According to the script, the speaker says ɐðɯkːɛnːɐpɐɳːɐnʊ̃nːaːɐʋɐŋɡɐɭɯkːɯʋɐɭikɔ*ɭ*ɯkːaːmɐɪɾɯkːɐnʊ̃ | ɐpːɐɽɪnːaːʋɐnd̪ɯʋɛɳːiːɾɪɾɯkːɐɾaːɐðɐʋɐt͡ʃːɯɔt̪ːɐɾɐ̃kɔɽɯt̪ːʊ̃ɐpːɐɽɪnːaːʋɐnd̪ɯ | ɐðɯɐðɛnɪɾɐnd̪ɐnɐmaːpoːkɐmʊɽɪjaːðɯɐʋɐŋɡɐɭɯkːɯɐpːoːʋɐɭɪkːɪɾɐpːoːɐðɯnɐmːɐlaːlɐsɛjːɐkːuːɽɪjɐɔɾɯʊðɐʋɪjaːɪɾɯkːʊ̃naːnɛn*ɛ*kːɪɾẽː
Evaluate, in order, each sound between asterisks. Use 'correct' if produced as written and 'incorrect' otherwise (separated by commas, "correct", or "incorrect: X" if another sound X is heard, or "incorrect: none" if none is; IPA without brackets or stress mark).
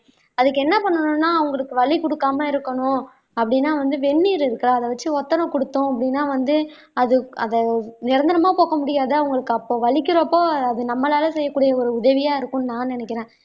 incorrect: ɽ, correct